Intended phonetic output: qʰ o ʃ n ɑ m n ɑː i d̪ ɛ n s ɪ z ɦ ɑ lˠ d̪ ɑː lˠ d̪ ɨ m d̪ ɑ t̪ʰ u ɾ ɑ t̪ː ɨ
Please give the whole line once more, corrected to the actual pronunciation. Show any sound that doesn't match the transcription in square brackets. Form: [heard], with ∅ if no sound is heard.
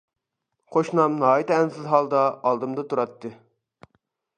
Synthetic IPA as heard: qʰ o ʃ n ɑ m n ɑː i [t̪] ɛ n s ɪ z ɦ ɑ lˠ d̪ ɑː lˠ d̪ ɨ m d̪ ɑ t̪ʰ u ɾ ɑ t̪ː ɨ